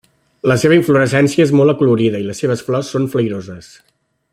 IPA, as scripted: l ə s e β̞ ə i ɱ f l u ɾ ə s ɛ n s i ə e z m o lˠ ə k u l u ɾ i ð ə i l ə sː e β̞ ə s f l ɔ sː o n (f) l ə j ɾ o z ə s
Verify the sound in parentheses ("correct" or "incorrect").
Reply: correct